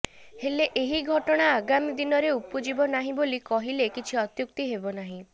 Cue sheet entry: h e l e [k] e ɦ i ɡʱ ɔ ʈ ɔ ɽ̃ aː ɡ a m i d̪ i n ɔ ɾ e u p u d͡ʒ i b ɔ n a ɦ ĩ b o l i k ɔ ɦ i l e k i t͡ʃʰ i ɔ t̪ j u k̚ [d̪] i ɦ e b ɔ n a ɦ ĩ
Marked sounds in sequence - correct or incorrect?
incorrect, incorrect

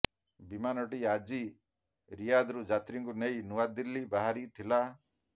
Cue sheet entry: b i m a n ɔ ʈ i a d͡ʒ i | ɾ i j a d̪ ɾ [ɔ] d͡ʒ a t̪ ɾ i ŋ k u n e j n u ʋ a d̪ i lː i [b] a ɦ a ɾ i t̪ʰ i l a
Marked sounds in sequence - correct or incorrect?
incorrect, correct

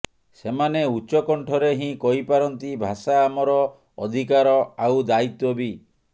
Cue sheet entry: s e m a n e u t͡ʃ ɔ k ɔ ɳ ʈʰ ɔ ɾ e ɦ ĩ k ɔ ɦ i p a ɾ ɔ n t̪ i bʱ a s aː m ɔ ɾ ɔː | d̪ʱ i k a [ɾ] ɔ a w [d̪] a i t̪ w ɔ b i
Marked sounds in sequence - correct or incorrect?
correct, correct

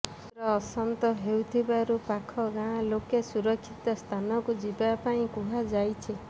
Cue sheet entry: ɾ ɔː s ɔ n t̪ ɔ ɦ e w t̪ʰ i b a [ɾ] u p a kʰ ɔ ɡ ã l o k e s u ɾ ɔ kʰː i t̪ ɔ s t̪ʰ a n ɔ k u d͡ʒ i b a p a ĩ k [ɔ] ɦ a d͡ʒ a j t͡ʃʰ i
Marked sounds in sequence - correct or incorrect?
correct, incorrect

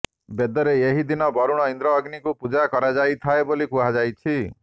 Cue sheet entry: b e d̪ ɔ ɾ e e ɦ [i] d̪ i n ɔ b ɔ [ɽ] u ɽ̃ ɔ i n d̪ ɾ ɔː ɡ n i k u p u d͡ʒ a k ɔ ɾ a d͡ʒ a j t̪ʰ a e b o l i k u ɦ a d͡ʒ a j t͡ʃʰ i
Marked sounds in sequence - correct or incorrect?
correct, incorrect

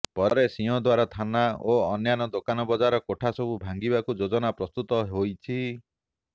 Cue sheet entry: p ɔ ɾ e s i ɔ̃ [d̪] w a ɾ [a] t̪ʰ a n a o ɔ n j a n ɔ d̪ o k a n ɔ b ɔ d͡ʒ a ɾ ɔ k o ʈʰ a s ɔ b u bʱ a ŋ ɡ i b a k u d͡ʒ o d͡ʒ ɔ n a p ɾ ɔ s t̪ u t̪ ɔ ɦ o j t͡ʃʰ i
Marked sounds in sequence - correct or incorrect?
correct, correct

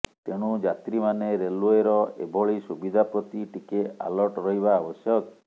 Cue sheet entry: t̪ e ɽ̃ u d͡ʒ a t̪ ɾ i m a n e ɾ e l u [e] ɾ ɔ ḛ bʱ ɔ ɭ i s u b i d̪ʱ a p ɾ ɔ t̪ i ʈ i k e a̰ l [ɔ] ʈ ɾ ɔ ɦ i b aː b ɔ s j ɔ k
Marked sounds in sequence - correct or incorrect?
correct, correct

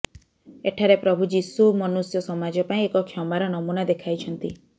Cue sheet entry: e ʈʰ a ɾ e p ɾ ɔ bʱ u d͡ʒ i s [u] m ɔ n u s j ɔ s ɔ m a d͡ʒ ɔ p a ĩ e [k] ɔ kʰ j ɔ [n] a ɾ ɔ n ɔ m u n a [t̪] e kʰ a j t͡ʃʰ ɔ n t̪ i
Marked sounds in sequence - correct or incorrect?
correct, correct, incorrect, incorrect

